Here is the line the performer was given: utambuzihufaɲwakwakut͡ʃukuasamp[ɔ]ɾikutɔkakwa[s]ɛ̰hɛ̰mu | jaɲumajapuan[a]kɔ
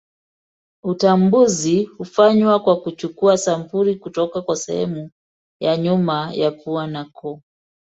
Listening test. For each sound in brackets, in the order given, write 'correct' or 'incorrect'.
incorrect, correct, correct

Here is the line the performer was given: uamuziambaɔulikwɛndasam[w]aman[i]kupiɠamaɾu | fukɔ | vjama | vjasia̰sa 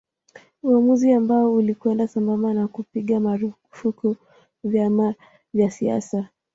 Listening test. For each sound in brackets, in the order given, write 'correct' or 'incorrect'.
incorrect, incorrect

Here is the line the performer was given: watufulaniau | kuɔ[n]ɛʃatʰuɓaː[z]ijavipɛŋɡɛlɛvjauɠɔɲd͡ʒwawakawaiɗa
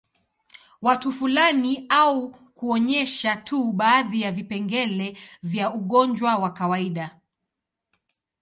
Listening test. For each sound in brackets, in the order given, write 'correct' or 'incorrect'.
incorrect, incorrect

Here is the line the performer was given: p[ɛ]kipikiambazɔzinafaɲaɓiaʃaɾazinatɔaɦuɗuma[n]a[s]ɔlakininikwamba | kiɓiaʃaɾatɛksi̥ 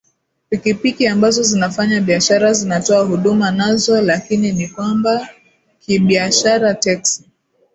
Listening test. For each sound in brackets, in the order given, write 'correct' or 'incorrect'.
incorrect, correct, incorrect

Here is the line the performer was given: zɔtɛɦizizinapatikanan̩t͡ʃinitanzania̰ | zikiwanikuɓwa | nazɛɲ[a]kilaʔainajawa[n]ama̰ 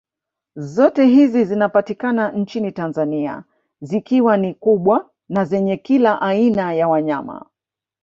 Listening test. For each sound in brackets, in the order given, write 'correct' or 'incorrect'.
incorrect, incorrect

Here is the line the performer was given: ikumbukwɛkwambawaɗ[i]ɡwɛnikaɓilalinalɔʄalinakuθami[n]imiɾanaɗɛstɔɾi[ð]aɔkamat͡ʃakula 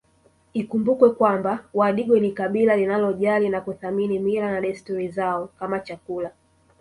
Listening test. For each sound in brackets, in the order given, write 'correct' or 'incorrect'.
correct, correct, incorrect

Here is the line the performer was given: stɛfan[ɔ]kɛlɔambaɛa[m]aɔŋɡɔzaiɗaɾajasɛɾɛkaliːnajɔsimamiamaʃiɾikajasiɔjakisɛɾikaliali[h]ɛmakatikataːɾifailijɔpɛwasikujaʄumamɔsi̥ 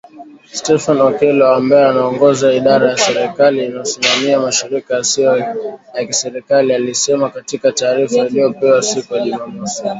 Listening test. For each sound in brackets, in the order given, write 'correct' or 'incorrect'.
correct, incorrect, incorrect

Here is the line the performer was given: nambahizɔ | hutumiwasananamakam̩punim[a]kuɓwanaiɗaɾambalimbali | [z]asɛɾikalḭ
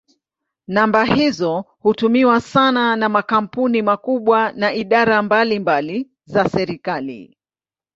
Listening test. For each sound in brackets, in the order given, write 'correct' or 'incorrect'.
correct, correct

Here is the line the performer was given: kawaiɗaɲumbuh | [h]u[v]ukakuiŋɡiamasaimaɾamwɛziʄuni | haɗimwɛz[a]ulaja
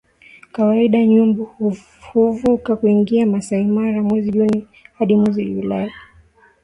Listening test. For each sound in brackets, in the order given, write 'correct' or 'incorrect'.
correct, correct, incorrect

